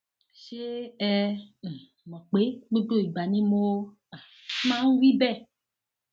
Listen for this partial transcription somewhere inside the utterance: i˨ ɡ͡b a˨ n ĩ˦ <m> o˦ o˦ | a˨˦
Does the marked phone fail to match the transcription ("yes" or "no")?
no